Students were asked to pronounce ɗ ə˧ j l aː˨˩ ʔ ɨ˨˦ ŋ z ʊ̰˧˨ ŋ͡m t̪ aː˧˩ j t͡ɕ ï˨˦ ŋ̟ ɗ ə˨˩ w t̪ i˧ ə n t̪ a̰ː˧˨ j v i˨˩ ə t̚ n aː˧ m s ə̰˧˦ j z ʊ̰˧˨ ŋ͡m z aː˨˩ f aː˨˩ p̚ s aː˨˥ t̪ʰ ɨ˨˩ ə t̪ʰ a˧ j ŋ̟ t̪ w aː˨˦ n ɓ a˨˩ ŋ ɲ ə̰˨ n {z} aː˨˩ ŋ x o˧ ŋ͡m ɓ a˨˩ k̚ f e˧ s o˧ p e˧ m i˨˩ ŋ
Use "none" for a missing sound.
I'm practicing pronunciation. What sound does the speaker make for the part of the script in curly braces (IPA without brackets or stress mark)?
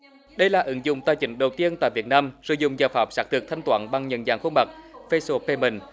z